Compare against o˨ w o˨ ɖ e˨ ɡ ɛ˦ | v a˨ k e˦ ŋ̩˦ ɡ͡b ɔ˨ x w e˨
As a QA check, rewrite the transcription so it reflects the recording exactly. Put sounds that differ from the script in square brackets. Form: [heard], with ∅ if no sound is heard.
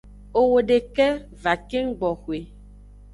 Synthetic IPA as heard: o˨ w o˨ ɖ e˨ [k] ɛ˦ | v a˨ k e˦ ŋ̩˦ ɡ͡b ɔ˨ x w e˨